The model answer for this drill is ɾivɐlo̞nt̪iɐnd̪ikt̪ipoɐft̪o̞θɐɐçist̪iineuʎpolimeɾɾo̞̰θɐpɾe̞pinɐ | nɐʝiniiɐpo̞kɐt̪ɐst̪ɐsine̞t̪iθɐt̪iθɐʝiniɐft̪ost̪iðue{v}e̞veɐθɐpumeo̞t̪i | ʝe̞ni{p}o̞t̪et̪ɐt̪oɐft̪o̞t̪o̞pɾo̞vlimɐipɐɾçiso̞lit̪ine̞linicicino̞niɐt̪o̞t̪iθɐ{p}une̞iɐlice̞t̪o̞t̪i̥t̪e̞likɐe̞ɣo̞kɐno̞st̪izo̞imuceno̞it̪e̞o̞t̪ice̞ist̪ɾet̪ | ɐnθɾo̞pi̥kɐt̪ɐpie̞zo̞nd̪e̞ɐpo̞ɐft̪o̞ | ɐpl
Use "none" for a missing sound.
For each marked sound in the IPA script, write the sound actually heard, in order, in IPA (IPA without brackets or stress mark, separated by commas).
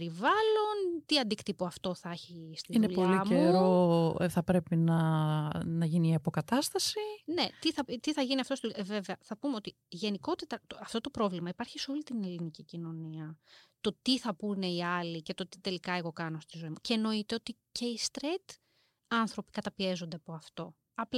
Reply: v, k, p